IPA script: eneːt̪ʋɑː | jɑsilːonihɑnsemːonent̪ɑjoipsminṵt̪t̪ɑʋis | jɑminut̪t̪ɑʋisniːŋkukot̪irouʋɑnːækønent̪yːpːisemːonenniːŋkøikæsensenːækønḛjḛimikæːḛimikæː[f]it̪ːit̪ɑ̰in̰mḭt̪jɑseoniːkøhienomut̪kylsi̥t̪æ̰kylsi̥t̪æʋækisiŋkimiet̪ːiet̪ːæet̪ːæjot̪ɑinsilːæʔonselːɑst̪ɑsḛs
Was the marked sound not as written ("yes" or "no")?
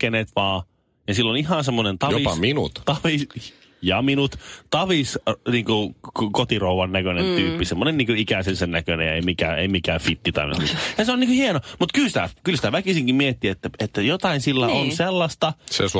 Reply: no